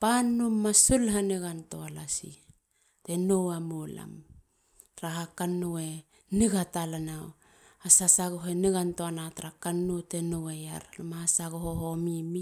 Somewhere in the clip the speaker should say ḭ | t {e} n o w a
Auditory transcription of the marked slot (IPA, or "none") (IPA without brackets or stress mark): e